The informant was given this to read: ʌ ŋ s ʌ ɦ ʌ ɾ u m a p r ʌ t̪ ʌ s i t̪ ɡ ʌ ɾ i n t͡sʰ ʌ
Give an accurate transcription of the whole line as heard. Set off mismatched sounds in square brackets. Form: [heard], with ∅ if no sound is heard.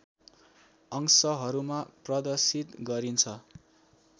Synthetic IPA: ʌ ŋ s ʌ ɦ ʌ ɾ u m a p r ʌ [d̪] ʌ s i t̪ ɡ ʌ ɾ i n t͡sʰ ʌ